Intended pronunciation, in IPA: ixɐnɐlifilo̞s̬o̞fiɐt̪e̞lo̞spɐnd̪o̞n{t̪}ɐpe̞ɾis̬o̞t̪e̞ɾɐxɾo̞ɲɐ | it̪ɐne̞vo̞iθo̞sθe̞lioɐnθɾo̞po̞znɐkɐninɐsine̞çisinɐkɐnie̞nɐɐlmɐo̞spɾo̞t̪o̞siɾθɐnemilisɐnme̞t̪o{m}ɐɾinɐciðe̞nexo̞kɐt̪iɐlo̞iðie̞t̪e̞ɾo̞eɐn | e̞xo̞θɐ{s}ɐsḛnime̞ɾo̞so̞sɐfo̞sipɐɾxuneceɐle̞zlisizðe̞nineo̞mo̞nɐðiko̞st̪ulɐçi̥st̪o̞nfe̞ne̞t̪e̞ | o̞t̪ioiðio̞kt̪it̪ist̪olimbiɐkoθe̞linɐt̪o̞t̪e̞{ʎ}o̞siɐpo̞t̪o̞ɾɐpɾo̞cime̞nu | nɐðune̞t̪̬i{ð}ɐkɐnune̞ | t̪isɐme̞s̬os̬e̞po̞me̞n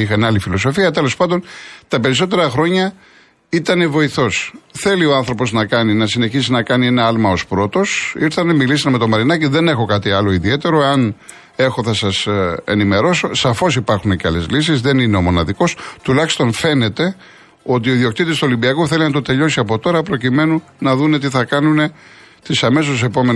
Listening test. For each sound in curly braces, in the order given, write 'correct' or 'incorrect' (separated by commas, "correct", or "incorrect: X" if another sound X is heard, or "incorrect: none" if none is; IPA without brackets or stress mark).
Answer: correct, correct, correct, correct, incorrect: θ